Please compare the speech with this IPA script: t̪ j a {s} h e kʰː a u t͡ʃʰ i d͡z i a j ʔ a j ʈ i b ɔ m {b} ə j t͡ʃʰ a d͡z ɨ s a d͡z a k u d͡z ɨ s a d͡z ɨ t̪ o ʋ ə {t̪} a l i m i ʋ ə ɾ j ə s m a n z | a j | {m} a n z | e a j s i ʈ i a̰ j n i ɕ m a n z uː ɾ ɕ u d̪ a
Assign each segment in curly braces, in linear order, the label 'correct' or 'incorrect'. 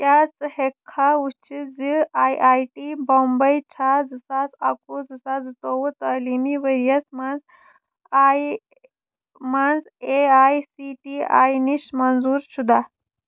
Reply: incorrect: t͡s, correct, correct, correct

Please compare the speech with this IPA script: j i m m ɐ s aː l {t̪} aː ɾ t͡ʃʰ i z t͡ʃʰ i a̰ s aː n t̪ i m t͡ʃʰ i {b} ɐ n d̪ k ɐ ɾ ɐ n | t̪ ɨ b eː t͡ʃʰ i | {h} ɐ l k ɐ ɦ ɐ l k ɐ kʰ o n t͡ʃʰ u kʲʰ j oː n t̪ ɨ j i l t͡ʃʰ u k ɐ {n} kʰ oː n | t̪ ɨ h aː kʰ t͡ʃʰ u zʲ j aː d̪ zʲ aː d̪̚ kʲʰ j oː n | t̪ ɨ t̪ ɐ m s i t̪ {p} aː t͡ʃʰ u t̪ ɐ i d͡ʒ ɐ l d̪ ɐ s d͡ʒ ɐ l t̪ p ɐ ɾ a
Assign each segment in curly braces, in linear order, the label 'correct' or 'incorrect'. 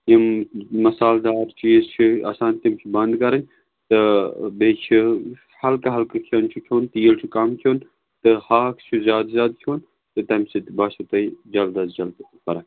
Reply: incorrect: d̪, correct, correct, incorrect: m, incorrect: b

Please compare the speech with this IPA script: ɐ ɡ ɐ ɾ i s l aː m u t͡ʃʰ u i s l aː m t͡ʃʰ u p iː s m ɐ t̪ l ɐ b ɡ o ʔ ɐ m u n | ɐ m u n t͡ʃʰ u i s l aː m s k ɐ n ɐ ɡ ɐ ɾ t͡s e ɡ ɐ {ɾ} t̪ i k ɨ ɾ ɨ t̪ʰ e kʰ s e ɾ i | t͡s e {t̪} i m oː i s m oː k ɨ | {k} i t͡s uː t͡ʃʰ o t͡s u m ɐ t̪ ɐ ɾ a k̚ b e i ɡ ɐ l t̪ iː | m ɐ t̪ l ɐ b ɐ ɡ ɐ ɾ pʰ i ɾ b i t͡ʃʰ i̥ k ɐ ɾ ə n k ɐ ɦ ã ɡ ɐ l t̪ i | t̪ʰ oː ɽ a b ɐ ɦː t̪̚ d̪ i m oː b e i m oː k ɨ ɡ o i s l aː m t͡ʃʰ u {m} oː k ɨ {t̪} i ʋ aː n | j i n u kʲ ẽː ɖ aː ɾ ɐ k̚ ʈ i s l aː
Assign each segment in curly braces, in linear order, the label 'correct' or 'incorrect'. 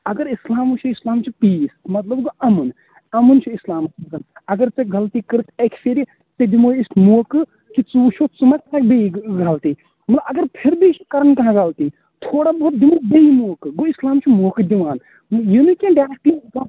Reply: incorrect: l, incorrect: d̪, correct, correct, incorrect: d̪

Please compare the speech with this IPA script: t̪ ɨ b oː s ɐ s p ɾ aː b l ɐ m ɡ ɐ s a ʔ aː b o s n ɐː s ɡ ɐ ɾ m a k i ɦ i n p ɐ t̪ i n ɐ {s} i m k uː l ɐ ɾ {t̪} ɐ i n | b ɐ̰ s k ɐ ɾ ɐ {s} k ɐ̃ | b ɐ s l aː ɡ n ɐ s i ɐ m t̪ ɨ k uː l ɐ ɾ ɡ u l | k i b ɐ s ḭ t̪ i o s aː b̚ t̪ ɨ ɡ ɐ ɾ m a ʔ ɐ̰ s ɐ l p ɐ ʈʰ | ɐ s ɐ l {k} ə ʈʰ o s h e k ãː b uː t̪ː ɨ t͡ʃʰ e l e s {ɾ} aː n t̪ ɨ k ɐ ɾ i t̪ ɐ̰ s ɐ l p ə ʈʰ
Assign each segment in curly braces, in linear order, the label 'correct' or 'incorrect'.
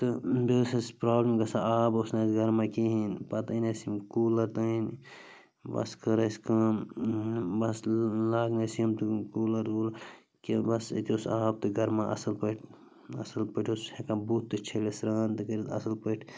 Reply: correct, correct, correct, incorrect: p, correct

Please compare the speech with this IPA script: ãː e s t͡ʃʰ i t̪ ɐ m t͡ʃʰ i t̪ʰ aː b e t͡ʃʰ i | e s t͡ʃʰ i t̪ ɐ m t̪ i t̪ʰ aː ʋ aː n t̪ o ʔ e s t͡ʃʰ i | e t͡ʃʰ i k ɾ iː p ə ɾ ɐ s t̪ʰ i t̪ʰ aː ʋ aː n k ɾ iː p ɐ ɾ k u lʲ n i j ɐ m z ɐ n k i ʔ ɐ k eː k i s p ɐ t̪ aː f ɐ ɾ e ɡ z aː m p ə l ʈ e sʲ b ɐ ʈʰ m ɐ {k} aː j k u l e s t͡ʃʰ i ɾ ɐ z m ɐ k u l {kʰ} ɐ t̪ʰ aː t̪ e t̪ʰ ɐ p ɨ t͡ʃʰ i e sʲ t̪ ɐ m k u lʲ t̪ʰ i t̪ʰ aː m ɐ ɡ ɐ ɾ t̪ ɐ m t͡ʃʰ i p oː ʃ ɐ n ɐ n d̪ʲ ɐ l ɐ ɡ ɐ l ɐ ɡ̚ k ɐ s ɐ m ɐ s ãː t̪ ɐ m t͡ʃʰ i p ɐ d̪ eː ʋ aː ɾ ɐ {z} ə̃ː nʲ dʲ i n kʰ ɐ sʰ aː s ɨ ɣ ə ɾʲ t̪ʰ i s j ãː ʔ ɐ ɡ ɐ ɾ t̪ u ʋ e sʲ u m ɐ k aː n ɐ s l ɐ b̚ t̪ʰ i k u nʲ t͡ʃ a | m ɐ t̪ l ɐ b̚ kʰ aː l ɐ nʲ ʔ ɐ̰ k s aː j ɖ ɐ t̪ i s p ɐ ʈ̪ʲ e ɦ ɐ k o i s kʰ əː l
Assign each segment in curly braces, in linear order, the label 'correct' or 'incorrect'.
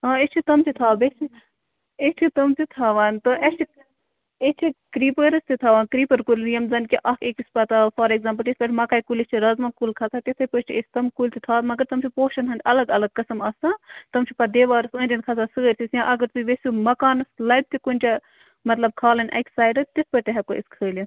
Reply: correct, correct, incorrect: s

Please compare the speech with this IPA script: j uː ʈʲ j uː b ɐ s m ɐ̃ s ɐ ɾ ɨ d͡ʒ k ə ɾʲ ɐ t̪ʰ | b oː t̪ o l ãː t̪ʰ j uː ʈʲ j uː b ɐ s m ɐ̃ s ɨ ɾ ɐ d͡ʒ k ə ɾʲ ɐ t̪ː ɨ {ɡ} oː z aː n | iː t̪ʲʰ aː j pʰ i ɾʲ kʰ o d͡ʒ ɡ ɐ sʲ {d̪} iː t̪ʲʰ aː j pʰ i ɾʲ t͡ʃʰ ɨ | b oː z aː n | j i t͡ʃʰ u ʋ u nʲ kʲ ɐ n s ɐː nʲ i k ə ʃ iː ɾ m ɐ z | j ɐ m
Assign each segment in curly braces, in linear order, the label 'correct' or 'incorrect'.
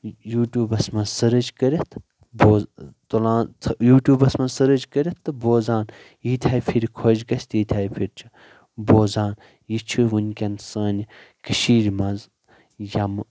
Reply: incorrect: b, incorrect: t̪

